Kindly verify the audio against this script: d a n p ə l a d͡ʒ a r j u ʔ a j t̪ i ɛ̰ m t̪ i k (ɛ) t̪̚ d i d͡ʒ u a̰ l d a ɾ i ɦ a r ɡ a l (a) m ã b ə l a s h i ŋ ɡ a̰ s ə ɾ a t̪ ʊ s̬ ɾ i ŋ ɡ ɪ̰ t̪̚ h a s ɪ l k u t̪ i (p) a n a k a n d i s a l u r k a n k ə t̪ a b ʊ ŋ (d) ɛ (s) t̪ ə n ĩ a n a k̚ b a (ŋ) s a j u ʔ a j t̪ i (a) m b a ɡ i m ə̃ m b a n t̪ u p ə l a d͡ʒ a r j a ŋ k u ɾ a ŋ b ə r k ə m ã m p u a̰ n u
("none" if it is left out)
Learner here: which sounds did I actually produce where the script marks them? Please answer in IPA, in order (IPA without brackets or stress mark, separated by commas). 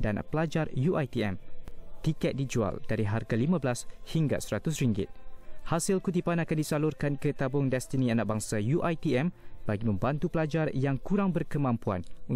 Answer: ɛ, i, p, d, s, ŋ, ɛ